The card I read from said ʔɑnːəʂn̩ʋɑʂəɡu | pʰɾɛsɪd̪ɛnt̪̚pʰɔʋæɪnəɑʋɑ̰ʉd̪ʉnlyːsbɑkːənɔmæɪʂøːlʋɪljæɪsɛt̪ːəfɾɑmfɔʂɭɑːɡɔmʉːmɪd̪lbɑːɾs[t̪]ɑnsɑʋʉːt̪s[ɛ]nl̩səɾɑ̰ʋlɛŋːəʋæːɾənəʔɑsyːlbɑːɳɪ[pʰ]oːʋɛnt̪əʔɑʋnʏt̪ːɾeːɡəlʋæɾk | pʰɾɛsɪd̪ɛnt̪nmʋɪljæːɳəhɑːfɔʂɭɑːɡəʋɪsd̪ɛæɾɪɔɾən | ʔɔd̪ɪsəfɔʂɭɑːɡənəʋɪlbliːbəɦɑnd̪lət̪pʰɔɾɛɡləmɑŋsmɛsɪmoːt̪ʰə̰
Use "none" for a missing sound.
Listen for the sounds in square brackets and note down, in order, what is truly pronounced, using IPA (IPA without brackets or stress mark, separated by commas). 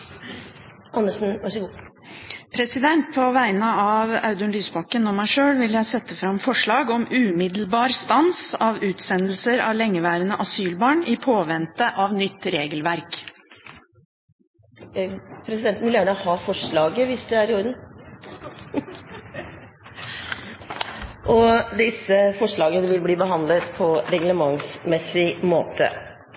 t̪, ɛ, pʰ